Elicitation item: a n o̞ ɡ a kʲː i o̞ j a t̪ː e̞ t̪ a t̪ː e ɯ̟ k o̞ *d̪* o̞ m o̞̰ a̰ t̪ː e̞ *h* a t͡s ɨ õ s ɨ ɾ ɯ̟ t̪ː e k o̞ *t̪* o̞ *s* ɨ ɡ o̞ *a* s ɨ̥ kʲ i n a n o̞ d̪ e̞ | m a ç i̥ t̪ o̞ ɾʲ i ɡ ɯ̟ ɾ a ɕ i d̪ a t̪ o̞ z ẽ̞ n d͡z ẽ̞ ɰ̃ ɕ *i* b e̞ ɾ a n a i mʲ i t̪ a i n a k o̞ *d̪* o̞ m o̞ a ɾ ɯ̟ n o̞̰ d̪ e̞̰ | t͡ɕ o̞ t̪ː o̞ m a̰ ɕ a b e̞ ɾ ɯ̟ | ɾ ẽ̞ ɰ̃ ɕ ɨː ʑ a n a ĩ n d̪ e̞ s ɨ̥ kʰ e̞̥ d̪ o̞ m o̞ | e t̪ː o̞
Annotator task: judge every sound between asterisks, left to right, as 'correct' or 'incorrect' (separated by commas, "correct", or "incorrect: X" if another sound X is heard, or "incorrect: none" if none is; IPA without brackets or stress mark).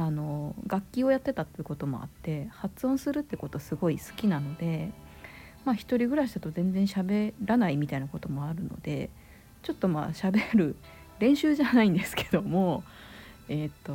incorrect: t̪, correct, correct, correct, incorrect: i, incorrect: a, incorrect: t̪